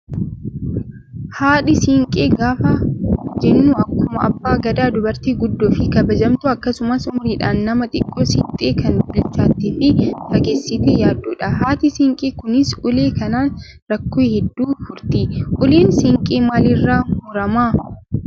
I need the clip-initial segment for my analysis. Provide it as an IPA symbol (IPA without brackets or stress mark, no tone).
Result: h